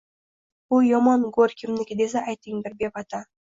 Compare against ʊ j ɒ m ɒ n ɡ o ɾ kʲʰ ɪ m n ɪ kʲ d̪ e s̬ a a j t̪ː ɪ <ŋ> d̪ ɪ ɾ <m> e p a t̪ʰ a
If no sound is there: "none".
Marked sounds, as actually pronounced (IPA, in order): ŋ, b

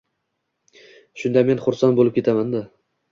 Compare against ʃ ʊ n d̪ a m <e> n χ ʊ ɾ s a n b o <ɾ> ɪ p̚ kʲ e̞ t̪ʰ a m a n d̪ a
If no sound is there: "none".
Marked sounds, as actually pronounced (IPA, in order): e, l

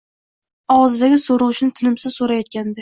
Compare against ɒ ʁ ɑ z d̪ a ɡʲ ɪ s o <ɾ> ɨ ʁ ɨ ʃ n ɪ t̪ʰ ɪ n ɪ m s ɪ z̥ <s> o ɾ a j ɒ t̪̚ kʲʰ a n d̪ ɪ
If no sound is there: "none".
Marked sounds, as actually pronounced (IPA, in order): ɾ, s

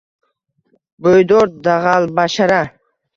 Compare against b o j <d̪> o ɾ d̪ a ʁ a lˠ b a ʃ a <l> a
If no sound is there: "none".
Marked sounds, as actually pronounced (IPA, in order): d̪, ɾ

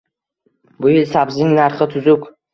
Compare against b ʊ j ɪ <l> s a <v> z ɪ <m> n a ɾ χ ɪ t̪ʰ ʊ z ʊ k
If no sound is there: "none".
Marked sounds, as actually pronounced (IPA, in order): l, b, ŋ

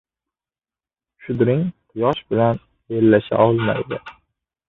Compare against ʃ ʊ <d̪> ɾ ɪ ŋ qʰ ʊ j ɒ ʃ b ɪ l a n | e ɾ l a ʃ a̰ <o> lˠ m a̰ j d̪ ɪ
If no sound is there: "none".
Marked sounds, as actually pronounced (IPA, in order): d̪, ɒ

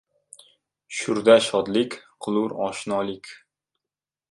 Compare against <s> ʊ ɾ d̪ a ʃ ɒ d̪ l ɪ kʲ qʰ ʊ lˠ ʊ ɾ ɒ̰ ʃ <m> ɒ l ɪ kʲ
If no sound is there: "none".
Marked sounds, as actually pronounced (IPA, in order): ʃ, n

